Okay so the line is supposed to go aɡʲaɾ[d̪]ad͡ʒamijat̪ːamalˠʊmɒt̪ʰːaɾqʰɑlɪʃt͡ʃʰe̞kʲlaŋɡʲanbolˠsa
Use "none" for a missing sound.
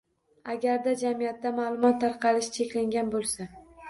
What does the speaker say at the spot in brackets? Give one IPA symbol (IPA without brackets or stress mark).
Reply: d̪